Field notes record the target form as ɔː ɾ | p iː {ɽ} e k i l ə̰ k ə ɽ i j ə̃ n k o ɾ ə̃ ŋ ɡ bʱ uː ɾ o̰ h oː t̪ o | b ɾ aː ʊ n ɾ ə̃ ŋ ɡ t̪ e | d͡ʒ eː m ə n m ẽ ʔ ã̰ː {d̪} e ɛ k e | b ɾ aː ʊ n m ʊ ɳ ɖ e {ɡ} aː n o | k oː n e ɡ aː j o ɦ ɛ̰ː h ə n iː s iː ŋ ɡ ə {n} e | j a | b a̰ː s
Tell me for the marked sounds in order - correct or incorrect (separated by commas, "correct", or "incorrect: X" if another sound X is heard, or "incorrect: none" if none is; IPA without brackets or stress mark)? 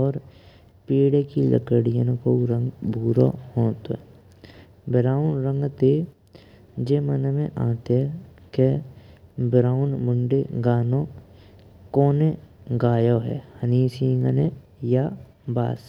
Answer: correct, incorrect: t̪, correct, correct